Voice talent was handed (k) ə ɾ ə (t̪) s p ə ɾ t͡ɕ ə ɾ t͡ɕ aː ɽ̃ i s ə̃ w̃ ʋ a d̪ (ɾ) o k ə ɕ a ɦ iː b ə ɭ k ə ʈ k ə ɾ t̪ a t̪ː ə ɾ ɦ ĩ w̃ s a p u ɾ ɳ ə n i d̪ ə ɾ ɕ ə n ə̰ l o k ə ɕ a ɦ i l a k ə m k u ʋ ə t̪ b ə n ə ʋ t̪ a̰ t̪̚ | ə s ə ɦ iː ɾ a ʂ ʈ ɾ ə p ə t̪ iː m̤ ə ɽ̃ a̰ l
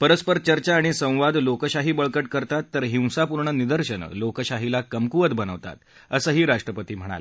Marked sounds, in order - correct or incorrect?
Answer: incorrect, incorrect, incorrect

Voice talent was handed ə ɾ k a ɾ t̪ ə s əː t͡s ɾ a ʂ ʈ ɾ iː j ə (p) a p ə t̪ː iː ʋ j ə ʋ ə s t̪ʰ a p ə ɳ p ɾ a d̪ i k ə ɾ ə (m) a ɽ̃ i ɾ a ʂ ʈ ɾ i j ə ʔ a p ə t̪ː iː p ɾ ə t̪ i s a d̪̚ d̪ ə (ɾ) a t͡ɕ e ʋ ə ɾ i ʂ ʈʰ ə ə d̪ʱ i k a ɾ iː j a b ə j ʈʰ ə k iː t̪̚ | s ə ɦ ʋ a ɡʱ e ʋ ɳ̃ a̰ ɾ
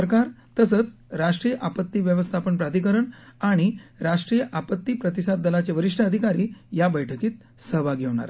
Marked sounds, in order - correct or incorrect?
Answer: incorrect, incorrect, incorrect

